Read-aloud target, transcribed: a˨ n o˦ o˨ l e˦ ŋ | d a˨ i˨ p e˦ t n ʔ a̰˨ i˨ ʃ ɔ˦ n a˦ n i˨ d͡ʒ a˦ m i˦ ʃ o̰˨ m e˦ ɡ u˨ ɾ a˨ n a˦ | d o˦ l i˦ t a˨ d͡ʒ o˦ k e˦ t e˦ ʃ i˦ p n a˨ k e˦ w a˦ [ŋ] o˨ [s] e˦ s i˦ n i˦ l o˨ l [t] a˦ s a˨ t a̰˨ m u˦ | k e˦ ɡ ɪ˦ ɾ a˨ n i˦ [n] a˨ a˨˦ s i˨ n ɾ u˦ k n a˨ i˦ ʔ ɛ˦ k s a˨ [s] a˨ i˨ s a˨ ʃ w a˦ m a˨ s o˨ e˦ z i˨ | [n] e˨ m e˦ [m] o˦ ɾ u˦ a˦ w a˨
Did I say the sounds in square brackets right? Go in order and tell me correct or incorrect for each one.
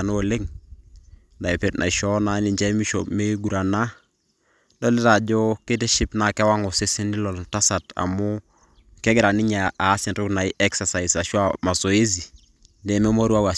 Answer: correct, correct, correct, incorrect: ɲ, correct, incorrect: d, correct

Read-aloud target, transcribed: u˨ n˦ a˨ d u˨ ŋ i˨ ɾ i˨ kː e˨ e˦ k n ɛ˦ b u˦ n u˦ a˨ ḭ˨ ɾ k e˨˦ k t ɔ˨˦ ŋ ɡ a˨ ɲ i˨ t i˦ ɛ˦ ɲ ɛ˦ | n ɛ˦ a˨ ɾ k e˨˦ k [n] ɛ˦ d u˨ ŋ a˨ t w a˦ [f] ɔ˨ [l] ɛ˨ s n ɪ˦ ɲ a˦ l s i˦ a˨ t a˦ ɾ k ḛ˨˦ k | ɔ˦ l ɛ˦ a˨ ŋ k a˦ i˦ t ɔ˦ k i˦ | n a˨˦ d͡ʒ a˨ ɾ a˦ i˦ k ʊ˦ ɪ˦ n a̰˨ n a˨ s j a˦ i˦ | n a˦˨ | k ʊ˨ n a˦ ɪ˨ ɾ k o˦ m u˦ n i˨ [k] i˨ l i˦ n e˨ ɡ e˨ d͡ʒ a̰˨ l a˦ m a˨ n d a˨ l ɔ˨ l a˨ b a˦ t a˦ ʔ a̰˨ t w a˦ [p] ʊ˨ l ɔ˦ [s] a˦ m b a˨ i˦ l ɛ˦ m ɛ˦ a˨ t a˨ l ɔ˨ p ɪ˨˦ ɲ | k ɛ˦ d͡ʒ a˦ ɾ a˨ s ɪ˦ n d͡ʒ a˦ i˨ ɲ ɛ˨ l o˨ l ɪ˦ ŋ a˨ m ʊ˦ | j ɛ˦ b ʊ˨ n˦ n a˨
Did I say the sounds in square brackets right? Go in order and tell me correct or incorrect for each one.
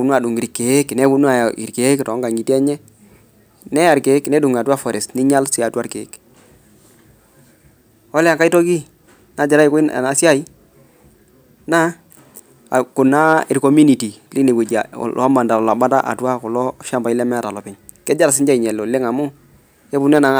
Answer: correct, correct, incorrect: ɾ, incorrect: t, incorrect: k, incorrect: ʃ

